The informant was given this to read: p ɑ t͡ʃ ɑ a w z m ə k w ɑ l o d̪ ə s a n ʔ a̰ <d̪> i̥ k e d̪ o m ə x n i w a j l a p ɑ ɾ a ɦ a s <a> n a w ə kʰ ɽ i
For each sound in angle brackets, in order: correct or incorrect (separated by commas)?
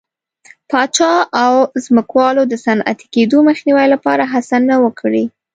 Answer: incorrect, correct